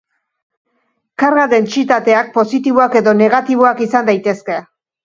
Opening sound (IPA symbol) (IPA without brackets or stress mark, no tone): k